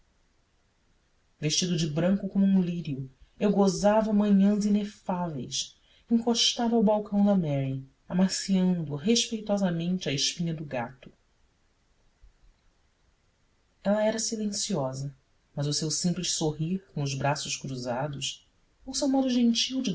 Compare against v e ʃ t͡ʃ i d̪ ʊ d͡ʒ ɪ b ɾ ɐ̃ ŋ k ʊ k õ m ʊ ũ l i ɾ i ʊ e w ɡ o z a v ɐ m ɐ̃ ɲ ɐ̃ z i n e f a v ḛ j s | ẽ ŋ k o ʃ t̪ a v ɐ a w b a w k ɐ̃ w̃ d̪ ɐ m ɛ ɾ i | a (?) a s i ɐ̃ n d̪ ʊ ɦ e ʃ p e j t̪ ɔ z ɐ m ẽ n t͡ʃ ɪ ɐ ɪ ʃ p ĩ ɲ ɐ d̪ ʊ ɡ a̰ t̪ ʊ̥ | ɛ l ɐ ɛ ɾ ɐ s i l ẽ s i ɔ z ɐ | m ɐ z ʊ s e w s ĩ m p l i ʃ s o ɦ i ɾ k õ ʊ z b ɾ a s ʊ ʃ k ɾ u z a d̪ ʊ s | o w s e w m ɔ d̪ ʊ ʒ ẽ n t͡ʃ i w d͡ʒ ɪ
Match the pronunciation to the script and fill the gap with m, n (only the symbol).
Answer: m